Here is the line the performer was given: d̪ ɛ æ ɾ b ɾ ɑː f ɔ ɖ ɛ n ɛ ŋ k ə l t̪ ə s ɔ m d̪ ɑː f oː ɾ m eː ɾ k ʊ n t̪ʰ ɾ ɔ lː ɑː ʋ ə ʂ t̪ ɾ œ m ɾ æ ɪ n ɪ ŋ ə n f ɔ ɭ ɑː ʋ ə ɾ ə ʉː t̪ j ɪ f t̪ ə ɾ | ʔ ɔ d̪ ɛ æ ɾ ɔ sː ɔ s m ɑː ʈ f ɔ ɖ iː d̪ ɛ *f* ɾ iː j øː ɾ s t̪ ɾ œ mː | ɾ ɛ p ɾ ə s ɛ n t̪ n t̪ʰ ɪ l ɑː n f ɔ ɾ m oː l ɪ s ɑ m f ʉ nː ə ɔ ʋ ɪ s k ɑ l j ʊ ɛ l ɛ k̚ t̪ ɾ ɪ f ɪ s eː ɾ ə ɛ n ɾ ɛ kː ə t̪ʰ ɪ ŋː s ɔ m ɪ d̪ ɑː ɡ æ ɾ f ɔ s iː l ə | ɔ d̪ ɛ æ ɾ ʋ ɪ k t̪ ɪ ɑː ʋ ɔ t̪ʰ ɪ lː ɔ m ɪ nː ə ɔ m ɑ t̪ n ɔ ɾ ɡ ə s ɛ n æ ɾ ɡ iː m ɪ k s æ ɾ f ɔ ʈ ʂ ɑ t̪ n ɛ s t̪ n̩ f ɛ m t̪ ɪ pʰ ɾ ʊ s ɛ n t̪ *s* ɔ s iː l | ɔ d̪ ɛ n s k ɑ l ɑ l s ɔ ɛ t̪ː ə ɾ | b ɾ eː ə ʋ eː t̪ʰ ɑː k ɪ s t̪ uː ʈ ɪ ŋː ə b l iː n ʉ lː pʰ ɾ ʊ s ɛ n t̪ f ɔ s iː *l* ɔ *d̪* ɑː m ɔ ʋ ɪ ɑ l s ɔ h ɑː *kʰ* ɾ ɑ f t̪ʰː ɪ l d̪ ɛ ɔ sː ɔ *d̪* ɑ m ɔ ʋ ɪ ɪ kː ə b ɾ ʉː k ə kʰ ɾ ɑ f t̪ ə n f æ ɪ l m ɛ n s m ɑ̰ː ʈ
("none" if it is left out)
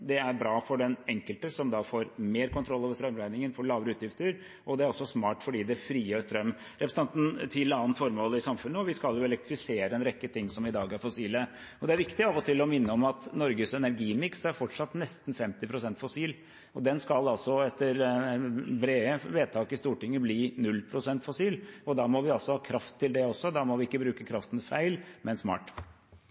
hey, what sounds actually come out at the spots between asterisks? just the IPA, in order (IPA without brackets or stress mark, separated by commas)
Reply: f, f, l, d̪, kʰ, d̪